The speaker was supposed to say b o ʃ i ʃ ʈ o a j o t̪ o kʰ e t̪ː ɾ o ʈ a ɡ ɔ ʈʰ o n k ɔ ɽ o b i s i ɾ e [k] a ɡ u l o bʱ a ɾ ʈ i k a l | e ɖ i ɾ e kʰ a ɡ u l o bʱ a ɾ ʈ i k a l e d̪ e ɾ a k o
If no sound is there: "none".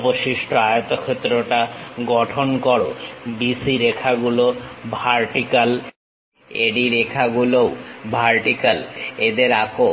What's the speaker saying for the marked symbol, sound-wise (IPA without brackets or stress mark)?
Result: kʰ